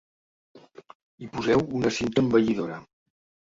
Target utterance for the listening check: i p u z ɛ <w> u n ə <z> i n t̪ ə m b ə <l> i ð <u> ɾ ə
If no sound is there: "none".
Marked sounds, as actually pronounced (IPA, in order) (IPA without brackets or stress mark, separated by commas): w, s, ʎ, o